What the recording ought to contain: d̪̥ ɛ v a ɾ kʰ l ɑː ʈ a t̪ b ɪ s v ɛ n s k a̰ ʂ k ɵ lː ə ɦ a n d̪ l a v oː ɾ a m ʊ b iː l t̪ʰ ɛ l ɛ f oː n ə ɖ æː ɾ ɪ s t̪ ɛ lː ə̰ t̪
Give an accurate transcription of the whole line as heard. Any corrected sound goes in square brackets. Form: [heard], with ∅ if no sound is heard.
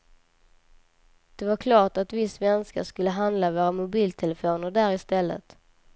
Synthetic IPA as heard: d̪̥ ɛ v a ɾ kʰ l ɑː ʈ a t̪ [v] ɪ s v ɛ n s k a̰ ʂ k ɵ lː ə ɦ a n d̪ l a v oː ɾ a m ʊ b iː l t̪ʰ ɛ l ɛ f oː n ə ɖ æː ɾ ɪ s t̪ ɛ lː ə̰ t̪